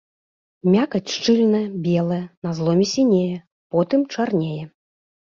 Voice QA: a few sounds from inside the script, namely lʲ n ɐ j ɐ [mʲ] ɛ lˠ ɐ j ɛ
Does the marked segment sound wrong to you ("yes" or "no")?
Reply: yes